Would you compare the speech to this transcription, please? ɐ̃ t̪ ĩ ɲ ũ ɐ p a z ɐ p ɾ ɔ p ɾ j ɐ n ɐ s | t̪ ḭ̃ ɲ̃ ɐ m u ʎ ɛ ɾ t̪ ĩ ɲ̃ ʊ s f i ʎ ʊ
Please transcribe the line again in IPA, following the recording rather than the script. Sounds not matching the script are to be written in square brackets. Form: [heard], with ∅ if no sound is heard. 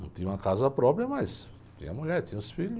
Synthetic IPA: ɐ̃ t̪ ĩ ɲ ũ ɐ [k] a z ɐ p ɾ ɔ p ɾ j ɐ [m] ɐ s | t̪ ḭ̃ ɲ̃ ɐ m u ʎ ɛ ɾ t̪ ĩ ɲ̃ ʊ s f i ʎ ʊ